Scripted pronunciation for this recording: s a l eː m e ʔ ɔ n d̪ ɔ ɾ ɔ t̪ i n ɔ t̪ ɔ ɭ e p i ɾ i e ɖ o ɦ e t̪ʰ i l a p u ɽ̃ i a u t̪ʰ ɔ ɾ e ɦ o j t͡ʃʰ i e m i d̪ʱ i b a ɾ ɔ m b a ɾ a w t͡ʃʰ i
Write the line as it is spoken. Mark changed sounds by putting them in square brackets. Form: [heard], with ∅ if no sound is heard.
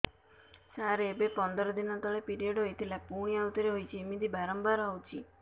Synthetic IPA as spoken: s a [ɾ] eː [b] e [p] ɔ n d̪ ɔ ɾ ɔ [d̪] i n ɔ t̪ ɔ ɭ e p i ɾ i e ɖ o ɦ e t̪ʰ i l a p u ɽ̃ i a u [t̪] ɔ ɾ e ɦ o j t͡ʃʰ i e m i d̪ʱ i b a ɾ ɔ m b a ɾ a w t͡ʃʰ i